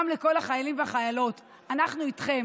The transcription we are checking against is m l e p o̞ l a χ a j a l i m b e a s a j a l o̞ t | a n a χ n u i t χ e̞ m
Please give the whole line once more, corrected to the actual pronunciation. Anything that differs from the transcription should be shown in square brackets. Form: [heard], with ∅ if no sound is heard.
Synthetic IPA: m l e [k] o̞ l a χ a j a l i m [v] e a [χ] a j a l o̞ t | a n a χ n u i t χ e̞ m